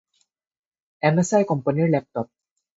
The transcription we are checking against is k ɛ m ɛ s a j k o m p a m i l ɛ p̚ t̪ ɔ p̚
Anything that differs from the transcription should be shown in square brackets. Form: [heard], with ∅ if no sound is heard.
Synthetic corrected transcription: [ʔ] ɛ m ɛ s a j k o m p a [n] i l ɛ p̚ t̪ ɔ p̚